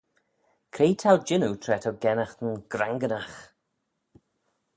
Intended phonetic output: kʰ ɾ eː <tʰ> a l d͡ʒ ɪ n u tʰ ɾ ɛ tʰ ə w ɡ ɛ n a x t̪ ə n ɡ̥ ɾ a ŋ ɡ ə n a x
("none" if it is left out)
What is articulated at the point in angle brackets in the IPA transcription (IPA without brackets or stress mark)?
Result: tʰ